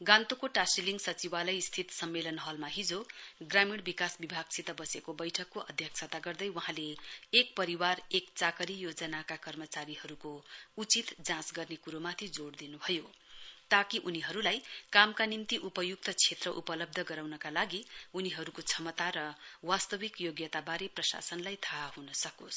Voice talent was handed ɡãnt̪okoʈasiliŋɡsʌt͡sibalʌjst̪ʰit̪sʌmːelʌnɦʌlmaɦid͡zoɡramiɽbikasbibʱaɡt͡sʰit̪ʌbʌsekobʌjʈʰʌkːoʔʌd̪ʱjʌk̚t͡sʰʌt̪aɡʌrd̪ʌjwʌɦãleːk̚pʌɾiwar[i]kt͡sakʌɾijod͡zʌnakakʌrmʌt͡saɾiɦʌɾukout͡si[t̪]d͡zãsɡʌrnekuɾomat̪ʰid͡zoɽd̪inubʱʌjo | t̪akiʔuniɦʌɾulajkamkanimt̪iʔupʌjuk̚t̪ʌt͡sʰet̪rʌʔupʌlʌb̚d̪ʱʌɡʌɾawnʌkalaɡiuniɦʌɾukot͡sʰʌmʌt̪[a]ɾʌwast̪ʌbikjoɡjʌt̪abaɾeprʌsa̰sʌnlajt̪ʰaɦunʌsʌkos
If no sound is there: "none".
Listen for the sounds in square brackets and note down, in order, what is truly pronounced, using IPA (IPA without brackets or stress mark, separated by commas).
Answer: e, t̪, a